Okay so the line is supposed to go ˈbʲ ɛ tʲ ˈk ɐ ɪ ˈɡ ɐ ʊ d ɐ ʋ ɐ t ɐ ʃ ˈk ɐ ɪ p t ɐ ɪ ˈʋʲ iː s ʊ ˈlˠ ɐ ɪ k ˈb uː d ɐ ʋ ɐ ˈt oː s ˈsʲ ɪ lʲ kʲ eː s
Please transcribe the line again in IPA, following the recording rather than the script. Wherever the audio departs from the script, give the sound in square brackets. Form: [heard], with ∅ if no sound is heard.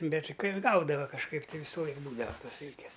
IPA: ˈbʲ ɛ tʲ ˈk ɐ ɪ ˈɡ ɐ ʊ d ɐ ʋ ɐ [k] ɐ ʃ ˈk ɐ ɪ p t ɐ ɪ ˈʋʲ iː s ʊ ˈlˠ ɐ ɪ k ˈb uː d ɐ ʋ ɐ ˈt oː s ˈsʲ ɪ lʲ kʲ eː s